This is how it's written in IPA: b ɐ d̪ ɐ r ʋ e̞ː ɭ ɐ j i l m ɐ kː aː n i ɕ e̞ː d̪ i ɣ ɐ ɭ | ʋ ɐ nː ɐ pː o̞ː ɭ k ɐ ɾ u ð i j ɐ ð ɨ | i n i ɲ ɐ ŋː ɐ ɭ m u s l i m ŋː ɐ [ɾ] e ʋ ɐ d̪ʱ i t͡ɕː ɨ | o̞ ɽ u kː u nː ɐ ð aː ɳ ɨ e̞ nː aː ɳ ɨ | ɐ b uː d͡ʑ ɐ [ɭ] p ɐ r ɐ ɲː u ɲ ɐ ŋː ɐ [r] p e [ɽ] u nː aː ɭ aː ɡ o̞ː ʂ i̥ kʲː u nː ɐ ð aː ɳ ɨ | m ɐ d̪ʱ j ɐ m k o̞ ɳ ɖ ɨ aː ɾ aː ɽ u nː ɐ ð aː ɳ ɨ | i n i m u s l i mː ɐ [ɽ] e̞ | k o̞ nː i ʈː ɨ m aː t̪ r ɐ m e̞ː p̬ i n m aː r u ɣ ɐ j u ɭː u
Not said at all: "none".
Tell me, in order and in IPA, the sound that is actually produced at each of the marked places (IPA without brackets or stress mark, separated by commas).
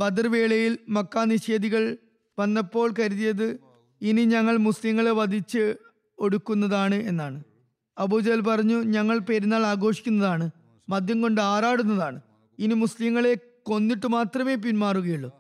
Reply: ɭ, l, ɭ, ɾ, ɭ